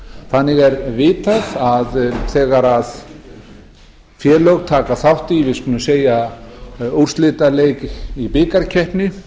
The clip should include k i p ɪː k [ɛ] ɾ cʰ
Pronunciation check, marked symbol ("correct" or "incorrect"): incorrect